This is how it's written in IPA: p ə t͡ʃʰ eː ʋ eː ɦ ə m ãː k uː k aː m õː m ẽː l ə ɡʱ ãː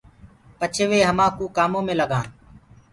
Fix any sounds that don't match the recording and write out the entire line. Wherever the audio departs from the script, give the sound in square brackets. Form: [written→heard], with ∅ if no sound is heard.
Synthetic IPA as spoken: p ə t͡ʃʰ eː ʋ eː ɦ ə m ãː k uː k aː m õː m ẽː l ə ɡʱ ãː